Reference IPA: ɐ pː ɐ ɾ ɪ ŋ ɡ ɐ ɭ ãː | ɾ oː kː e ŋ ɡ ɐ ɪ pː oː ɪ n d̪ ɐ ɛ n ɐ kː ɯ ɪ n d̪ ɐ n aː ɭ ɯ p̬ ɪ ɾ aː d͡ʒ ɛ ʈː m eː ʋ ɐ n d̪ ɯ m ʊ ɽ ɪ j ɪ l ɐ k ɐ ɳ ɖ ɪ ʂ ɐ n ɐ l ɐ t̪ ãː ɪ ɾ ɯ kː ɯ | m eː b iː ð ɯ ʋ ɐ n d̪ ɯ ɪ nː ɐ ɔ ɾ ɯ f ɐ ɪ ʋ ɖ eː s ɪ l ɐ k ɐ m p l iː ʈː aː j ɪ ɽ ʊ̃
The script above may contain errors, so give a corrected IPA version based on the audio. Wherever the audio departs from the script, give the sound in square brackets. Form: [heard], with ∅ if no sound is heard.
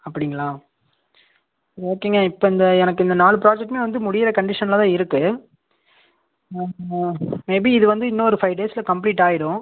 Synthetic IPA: ɐ pː ɐ [ɽ] ɪ ŋ ɡ ɐ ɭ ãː | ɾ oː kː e ŋ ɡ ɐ ɪ pː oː ɪ n d̪ ɐ ɛ n ɐ kː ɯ ɪ n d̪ ɐ n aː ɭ ɯ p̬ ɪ ɾ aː d͡ʒ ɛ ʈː m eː ʋ ɐ n d̪ ɯ m ʊ ɽ ɪ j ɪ [ɾ] ɐ k ɐ ɳ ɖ ɪ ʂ ɐ n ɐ l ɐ t̪ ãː ɪ ɾ ɯ kː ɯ | m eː b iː ð ɯ ʋ ɐ n d̪ ɯ ɪ nː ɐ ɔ ɾ ɯ f ɐ ɪ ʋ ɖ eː s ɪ l ɐ k ɐ m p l iː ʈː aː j ɪ ɽ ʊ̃